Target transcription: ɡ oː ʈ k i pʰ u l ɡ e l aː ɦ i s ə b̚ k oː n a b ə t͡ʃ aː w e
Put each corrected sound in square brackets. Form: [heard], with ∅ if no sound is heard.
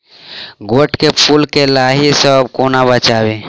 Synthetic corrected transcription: ɡ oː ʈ k [e] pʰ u l [k] e l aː ɦ i s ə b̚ k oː n a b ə t͡ʃ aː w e